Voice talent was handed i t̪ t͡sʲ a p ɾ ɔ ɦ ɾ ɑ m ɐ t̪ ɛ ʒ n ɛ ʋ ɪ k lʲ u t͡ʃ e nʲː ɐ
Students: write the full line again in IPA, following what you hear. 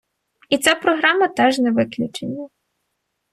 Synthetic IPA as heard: i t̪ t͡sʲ a p ɾ ɔ ɦ ɾ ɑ m ɐ t̪ ɛ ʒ n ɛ ʋ ɪ k lʲ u t͡ʃ e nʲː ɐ